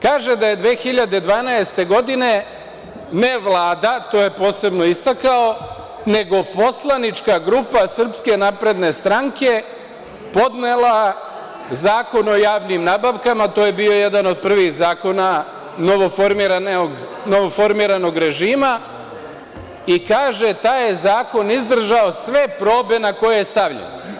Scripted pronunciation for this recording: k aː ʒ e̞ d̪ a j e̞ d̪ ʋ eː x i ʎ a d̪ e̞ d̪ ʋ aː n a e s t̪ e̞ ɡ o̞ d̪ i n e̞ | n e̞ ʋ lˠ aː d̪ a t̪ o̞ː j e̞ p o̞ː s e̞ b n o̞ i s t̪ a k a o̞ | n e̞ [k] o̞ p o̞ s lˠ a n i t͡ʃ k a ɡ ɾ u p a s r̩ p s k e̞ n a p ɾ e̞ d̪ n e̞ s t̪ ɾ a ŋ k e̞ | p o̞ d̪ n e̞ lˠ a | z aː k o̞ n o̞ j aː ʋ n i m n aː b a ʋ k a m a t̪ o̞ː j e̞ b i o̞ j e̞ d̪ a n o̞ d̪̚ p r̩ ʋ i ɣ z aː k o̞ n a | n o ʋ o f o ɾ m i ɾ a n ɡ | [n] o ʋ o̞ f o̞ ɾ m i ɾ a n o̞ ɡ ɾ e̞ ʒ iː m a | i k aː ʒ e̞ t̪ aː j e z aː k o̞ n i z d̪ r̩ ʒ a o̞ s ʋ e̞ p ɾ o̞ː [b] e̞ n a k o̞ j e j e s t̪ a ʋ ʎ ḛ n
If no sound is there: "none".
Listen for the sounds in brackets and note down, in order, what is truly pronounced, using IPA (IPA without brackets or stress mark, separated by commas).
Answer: ɡ, n, b